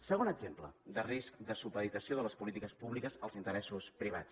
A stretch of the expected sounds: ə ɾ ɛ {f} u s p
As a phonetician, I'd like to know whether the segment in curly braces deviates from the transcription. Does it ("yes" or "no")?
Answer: yes